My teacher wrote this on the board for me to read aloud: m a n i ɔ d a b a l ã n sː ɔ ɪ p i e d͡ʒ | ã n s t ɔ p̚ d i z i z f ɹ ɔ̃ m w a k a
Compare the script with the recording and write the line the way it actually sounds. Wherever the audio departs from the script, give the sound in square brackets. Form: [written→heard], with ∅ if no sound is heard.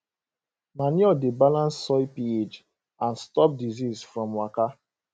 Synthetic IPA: m a n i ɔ d [a→e] b a l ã n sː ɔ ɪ p i e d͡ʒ | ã n s t ɔ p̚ d i z i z f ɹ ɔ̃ m w a k a